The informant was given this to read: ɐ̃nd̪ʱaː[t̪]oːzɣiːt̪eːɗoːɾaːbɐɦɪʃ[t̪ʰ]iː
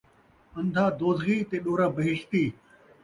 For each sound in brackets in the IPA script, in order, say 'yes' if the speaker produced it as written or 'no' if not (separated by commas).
no, no